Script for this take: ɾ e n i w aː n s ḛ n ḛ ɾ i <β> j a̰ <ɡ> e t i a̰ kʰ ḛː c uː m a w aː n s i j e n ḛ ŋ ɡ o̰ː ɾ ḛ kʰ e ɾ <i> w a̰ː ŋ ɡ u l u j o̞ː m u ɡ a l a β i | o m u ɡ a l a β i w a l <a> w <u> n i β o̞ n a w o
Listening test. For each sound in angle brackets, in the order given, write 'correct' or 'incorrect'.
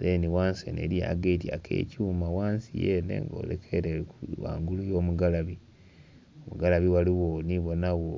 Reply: incorrect, correct, incorrect, incorrect, incorrect

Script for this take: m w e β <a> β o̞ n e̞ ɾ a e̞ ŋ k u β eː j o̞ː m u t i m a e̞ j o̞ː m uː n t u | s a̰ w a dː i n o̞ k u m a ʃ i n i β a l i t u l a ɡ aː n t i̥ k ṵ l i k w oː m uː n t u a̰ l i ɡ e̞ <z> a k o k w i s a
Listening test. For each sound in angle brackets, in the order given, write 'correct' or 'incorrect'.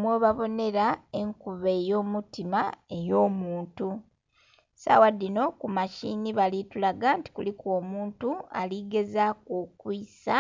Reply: correct, correct

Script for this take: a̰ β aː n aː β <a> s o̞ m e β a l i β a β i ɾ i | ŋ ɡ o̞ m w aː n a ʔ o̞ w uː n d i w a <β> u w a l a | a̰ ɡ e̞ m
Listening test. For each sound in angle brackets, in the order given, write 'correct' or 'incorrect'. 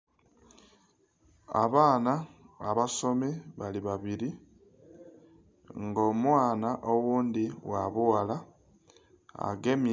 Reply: correct, correct

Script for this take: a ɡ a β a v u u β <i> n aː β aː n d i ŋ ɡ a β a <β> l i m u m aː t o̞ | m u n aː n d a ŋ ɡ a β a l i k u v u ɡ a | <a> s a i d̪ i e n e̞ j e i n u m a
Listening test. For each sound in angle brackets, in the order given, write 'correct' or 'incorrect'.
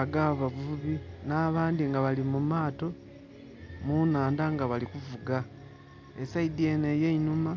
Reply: correct, incorrect, incorrect

